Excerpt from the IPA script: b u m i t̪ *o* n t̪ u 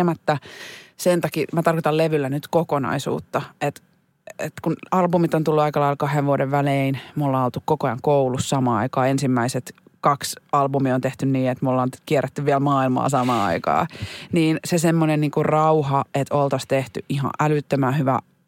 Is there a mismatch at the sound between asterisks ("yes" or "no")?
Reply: no